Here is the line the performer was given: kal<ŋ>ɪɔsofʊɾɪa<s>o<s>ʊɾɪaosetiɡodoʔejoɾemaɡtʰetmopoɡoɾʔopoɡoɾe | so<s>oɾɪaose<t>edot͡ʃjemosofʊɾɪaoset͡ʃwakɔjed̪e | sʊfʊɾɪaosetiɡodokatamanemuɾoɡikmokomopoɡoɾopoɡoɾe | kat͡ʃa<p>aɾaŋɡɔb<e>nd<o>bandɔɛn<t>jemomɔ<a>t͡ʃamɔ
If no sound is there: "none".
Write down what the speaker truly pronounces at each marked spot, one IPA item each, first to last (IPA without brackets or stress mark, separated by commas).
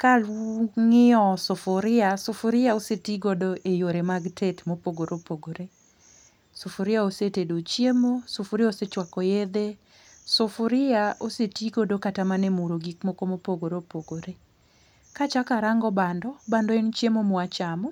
ŋ, s, f, f, t, k, a, ɔ, t͡ʃ, a